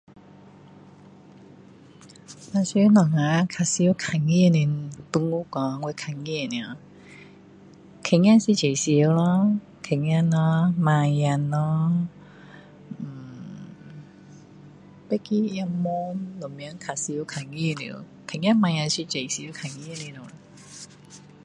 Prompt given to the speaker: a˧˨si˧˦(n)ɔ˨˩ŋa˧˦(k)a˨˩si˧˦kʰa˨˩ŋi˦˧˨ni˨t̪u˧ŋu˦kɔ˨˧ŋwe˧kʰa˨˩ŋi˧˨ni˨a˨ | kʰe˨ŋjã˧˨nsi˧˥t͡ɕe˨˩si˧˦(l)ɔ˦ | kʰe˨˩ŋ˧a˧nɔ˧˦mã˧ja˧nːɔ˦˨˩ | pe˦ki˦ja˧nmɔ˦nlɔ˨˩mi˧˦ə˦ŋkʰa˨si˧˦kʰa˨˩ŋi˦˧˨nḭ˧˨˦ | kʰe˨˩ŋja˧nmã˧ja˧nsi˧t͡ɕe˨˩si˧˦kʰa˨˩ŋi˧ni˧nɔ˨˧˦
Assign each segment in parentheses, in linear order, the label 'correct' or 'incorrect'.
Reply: correct, incorrect, correct

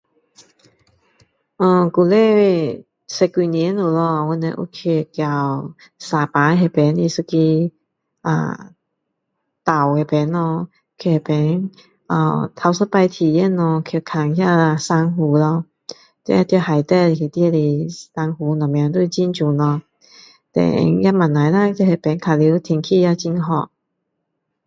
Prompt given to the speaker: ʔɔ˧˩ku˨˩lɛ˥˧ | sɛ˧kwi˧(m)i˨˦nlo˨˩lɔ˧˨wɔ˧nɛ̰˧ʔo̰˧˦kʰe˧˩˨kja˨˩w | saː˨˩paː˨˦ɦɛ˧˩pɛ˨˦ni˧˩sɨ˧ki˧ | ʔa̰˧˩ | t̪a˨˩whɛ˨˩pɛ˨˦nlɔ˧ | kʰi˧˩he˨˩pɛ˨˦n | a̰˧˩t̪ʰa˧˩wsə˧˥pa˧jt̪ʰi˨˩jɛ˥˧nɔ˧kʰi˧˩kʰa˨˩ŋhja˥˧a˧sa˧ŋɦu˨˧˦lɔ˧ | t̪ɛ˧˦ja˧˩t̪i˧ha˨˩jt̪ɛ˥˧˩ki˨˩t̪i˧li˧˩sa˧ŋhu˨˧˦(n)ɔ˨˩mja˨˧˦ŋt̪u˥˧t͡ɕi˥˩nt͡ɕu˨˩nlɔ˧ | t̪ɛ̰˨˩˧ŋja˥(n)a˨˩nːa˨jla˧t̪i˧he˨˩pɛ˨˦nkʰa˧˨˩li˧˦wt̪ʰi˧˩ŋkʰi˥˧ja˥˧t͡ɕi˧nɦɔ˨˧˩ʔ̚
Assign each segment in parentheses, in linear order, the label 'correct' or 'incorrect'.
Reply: incorrect, correct, incorrect

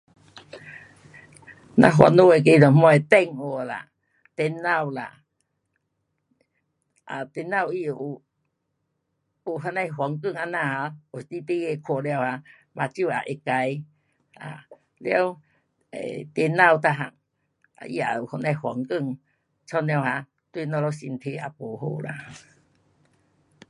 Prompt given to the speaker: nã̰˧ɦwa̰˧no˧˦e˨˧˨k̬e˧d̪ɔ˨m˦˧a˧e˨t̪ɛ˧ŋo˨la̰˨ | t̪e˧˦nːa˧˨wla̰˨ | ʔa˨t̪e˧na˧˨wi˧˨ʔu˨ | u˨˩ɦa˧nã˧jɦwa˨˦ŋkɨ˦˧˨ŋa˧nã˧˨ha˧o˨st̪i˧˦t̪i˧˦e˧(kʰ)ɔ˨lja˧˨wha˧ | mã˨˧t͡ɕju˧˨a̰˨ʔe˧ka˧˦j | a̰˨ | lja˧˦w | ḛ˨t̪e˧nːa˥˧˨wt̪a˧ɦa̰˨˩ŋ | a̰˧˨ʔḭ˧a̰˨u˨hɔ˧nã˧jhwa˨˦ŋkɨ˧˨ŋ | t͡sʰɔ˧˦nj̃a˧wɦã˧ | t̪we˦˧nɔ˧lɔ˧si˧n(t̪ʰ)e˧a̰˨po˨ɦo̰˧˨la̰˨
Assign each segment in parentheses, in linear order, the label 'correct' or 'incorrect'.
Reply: correct, correct

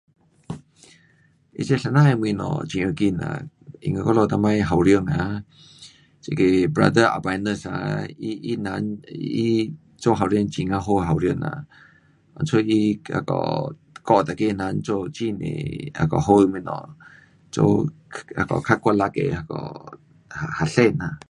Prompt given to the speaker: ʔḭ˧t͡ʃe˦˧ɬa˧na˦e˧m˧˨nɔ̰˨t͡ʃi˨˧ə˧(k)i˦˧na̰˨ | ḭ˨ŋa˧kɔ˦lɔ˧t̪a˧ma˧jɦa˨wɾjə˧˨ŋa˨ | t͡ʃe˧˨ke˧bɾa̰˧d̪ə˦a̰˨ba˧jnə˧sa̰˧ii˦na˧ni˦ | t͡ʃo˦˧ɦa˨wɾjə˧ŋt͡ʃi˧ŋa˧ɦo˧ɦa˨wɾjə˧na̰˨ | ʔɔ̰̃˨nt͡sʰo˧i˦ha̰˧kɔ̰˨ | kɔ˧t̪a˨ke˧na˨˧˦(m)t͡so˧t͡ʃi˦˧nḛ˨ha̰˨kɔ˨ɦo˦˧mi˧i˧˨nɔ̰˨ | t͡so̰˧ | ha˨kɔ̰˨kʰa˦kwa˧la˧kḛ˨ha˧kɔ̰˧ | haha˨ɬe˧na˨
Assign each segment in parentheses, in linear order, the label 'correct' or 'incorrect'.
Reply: correct, incorrect

